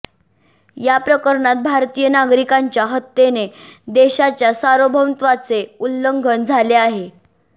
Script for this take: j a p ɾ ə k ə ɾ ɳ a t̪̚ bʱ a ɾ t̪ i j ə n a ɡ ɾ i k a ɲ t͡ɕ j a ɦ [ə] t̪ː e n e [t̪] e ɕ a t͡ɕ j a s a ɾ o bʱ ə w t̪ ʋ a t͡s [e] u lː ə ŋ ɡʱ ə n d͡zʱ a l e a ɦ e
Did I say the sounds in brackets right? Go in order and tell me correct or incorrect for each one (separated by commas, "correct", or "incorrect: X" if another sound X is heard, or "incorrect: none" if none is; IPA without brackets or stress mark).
correct, incorrect: d̪, correct